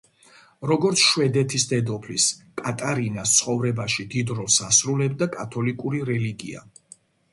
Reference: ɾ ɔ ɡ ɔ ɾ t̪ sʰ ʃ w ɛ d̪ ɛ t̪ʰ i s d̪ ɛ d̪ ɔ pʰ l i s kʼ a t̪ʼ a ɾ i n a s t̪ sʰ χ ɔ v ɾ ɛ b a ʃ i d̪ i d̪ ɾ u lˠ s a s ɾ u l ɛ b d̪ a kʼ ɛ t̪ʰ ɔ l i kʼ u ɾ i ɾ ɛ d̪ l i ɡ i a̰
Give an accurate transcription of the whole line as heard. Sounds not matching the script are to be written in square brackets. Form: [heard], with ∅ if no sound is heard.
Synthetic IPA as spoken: ɾ ɔ ɡ ɔ ɾ t̪ sʰ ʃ w ɛ d̪ ɛ t̪ʰ i s d̪ ɛ d̪ ɔ pʰ l i s kʼ a t̪ʼ a ɾ i n a s t̪ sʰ χ ɔ v ɾ ɛ b a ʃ i d̪ i d̪ ɾ [ɔ] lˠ s a s ɾ u l ɛ b d̪ a kʼ [a] t̪ʰ ɔ l i kʼ u ɾ i ɾ ɛ [∅] l i ɡ i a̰

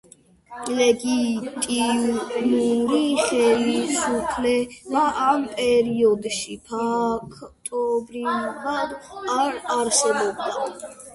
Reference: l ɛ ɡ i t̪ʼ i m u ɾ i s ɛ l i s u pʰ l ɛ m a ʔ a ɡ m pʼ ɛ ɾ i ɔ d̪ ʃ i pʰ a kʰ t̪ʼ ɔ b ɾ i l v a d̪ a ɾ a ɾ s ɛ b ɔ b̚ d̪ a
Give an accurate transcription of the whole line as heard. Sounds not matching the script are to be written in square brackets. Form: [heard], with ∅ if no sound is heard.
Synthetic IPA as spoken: l ɛ ɡ i t̪ʼ i m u ɾ i [χ] ɛ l i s u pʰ l ɛ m a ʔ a [∅] m pʼ ɛ ɾ i ɔ d̪ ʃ i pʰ a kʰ t̪ʼ ɔ b ɾ i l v a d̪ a ɾ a ɾ s ɛ b ɔ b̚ d̪ a

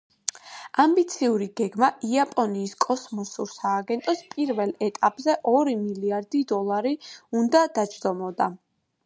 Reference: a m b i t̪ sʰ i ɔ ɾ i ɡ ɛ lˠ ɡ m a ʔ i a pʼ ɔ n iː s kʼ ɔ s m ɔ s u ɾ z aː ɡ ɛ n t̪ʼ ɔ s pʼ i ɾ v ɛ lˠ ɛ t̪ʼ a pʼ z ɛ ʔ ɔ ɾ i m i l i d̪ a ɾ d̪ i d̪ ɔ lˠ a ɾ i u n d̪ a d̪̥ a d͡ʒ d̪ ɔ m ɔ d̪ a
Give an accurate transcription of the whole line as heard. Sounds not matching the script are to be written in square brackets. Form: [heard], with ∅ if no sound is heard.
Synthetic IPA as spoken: a m b i t̪ sʰ i [u] ɾ i ɡ ɛ [∅] ɡ m a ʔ i a pʼ ɔ n iː s kʼ ɔ s m ɔ s u ɾ [s] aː ɡ ɛ n t̪ʼ ɔ s pʼ i ɾ v ɛ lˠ ɛ t̪ʼ a pʼ z ɛ ʔ ɔ ɾ i m i l i [∅] a ɾ d̪ i d̪ ɔ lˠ a ɾ i u n d̪ a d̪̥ a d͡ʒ d̪ ɔ m ɔ d̪ a

